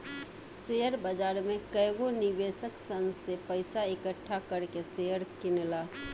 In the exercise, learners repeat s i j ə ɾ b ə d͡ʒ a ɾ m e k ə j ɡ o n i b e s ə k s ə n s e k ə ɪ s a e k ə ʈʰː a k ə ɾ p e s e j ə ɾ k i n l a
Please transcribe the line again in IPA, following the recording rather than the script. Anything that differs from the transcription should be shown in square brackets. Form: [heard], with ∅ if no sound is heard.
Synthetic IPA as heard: s [e] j ə ɾ b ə d͡ʒ a ɾ m e k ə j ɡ o n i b e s ə k s ə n s e [p] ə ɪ s a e k ə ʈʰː a k ə ɾ [k] e s e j ə ɾ k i n l a